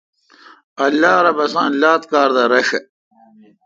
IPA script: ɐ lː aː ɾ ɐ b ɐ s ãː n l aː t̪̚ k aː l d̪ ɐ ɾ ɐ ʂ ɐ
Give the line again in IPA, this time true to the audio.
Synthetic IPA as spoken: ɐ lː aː ɾ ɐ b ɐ s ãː n l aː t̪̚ k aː ɾ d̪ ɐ ɾ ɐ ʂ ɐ